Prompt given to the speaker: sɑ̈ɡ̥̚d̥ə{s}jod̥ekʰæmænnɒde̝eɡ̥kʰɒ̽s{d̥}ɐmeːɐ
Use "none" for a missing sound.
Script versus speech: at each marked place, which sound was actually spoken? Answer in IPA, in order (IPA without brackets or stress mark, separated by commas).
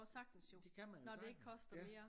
s, d̥